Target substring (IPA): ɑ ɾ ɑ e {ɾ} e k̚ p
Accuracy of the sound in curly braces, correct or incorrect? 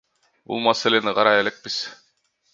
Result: incorrect